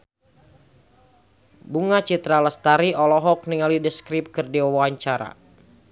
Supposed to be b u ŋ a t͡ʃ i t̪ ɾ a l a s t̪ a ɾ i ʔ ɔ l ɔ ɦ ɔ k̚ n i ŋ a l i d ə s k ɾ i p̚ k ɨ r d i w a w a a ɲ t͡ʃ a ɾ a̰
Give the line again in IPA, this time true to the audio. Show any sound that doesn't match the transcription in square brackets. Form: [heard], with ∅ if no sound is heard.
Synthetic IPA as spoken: b u ŋ a t͡ʃ i t̪ ɾ a l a s t̪ a ɾ i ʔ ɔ l ɔ ɦ ɔ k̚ n i ŋ a l i d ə s k ɾ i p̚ k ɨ r d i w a w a a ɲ t͡ʃ a ɾ a̰